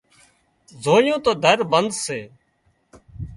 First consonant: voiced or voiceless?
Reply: voiced